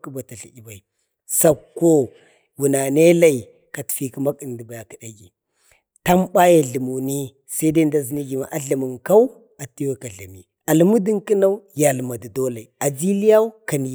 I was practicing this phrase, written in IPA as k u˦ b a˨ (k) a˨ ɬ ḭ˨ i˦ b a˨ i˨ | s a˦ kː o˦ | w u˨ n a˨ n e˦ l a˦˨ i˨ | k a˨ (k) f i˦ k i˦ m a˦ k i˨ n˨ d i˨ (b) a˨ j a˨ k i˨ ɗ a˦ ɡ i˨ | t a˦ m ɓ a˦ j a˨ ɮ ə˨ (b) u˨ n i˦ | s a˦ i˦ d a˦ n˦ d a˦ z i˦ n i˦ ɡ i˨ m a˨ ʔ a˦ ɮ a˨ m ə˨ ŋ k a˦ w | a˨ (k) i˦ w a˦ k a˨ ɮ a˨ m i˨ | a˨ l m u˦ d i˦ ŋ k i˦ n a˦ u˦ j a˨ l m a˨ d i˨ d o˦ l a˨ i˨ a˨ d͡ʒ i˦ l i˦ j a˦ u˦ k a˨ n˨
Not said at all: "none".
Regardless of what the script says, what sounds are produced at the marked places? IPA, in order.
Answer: t, t, b, m, t

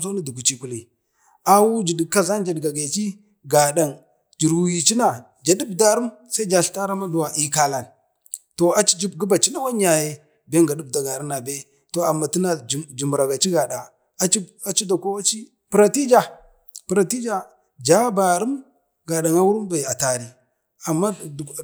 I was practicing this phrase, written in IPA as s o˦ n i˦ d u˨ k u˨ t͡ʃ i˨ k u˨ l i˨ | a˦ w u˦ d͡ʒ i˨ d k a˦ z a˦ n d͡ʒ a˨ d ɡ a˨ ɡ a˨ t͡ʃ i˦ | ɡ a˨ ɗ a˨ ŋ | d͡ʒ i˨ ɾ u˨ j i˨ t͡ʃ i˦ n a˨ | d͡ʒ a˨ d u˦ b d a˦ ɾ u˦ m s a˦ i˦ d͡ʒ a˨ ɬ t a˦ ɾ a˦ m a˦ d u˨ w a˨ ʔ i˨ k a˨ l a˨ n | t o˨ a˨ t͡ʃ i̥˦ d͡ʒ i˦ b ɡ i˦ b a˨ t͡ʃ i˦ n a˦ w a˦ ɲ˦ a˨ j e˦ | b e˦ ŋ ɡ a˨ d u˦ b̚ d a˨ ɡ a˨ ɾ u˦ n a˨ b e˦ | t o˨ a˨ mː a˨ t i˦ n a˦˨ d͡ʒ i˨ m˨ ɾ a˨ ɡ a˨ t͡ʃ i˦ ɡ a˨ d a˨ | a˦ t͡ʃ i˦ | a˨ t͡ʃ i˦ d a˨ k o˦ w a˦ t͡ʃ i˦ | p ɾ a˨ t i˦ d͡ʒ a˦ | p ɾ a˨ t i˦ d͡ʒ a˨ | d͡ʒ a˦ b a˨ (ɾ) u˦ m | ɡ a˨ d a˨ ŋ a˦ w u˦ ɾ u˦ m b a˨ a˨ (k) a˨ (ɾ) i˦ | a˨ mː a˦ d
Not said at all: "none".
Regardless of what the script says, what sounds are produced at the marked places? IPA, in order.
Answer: ɾ, t, ɾ

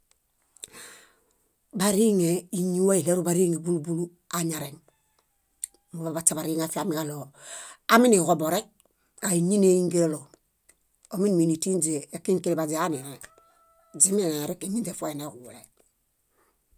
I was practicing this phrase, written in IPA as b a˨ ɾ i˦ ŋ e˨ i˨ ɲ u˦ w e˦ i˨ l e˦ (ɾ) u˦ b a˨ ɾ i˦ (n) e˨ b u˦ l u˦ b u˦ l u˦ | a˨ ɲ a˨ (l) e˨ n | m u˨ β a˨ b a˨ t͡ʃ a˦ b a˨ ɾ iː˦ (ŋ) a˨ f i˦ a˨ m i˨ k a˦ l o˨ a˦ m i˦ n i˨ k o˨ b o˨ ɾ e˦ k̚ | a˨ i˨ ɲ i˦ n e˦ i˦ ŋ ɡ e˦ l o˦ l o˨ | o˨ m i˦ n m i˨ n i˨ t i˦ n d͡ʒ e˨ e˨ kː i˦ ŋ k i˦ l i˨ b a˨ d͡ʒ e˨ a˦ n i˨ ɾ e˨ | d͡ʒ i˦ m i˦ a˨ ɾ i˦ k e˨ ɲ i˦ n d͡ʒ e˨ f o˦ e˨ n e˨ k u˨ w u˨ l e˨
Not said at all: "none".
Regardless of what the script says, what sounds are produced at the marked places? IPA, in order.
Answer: ɾ, ŋ, ɾ, ŋ

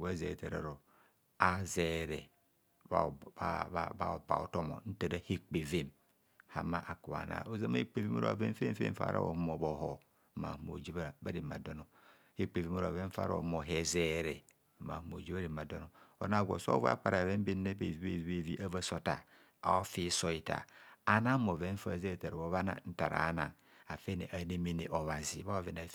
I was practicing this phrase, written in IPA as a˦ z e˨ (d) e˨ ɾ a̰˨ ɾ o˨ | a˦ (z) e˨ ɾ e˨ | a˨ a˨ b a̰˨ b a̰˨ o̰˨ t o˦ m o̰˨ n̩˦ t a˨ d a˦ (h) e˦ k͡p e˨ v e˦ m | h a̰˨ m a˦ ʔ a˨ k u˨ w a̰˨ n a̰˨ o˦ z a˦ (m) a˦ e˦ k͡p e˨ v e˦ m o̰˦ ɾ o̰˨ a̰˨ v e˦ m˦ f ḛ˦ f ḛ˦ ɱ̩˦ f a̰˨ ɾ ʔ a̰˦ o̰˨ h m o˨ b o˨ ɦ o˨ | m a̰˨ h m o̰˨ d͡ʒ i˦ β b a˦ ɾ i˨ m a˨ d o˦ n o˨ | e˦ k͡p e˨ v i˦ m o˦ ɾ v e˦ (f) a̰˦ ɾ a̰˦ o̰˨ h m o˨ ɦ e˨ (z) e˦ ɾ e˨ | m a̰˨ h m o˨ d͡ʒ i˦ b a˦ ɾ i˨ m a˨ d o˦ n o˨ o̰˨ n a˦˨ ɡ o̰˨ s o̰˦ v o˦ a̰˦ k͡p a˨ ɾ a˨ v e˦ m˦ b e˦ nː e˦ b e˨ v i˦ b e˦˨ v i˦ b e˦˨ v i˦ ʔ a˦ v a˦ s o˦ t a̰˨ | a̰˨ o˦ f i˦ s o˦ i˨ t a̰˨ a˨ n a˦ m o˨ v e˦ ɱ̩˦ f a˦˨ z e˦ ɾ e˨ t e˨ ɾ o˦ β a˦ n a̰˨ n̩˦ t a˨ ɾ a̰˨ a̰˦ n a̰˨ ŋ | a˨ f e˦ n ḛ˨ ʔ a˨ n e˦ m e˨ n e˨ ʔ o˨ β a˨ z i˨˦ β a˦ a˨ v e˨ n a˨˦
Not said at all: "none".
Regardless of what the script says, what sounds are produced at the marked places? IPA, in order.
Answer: t, z, h, m, f, z

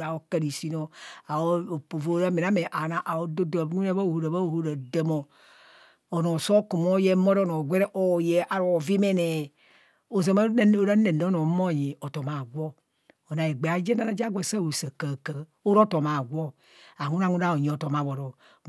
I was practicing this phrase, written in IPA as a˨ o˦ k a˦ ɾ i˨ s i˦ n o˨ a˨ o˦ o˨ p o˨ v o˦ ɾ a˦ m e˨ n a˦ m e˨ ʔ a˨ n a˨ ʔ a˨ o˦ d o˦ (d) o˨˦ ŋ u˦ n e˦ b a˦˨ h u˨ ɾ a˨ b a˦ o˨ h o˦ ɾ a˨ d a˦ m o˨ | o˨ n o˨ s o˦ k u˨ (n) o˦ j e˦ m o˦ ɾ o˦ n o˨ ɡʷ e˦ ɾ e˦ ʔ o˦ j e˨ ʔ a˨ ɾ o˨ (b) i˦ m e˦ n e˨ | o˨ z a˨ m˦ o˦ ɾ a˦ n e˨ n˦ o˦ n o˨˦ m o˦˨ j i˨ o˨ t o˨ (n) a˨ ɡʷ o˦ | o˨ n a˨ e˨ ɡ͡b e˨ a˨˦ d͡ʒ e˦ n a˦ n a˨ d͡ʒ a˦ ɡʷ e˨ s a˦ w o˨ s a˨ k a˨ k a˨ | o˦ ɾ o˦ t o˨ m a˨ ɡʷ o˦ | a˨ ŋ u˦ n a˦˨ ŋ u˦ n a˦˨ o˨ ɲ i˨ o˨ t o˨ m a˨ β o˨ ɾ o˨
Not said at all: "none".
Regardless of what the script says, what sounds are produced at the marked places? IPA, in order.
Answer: d, m, v, m

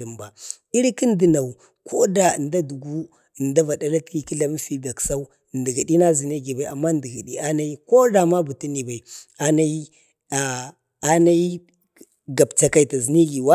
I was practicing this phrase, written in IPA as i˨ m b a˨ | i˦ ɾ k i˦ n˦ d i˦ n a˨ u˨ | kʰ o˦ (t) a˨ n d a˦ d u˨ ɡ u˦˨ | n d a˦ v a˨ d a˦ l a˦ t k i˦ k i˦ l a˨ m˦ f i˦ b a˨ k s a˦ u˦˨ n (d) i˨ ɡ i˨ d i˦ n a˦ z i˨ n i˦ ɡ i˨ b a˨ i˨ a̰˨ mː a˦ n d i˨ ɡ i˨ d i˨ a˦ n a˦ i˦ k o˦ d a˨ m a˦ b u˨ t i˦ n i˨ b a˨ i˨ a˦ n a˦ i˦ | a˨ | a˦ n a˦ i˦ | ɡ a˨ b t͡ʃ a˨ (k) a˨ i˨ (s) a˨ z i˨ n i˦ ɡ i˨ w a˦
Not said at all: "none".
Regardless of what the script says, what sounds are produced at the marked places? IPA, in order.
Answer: d, d, k, t

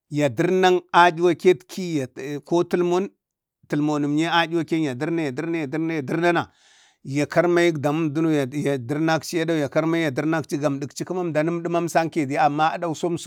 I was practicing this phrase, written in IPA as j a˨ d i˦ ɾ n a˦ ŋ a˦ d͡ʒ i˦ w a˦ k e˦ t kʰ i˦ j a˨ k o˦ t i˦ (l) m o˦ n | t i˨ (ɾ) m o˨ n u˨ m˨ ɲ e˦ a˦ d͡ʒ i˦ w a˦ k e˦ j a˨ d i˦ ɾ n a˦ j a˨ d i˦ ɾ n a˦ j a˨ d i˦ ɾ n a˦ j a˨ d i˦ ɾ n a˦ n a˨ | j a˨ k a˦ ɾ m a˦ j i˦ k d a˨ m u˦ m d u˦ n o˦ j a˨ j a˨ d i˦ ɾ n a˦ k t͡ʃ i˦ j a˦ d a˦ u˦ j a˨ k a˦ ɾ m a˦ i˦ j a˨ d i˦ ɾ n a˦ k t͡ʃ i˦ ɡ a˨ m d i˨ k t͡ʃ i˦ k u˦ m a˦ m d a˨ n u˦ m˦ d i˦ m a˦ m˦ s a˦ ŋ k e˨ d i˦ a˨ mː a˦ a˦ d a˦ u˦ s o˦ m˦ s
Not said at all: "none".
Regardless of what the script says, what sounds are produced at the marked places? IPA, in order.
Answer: l, l

